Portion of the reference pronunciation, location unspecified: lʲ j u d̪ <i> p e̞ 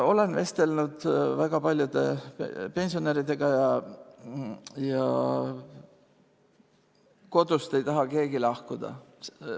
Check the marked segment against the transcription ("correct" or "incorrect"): incorrect